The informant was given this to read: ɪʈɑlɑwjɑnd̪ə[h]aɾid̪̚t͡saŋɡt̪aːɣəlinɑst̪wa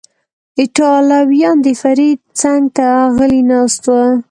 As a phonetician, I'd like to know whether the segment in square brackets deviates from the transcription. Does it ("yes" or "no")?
yes